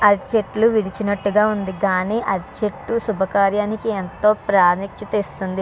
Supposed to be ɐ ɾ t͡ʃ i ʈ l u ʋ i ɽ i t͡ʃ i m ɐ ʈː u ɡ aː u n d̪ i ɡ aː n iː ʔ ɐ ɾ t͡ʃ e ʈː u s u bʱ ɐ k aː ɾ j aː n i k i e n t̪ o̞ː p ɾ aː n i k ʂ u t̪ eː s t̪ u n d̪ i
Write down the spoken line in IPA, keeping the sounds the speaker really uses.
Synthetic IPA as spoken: ɐ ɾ t͡ʃ e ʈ l u ʋ i ɽ i t͡ʃ i n ɐ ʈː u ɡ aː u n d̪ i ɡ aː n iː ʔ ɐ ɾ t͡ʃ e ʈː u s u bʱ ɐ k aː ɾ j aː n i k i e n t̪ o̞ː p ɾ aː n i k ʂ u t̪ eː s t̪ u n d̪ i